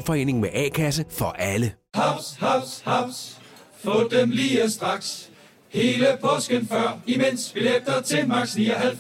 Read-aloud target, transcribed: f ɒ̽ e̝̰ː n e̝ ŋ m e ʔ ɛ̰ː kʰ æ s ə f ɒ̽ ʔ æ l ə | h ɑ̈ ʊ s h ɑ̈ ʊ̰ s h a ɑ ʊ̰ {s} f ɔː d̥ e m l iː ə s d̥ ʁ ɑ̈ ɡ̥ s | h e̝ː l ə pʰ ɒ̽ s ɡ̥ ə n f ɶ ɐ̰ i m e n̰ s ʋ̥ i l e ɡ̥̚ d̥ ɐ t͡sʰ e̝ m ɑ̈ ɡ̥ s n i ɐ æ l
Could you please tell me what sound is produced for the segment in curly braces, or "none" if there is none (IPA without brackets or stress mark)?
s